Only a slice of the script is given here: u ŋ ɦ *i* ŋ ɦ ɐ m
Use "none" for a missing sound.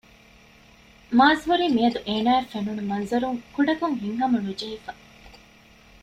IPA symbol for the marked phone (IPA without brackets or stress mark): i